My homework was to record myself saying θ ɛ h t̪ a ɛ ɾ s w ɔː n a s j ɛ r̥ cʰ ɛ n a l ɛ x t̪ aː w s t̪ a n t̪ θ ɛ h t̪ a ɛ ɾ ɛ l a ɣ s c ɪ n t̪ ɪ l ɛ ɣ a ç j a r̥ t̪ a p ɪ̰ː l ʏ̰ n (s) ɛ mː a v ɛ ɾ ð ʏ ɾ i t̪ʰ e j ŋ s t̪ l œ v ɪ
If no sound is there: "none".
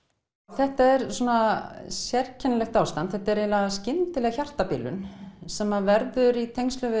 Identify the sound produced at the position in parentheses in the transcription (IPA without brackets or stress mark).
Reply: s